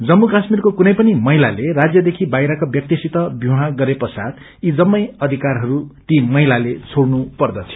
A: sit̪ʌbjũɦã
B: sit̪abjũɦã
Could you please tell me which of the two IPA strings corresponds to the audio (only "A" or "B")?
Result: A